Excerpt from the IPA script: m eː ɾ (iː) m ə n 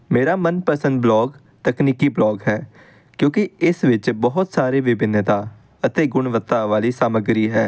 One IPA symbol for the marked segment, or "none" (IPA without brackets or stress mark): aː